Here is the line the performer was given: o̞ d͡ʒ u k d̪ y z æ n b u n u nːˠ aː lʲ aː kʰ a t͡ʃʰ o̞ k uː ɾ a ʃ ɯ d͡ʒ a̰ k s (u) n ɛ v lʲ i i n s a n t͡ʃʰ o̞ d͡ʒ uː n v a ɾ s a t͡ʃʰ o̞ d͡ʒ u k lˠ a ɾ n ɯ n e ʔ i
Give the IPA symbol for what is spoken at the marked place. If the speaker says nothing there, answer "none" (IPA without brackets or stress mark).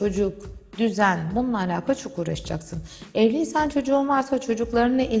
ɯ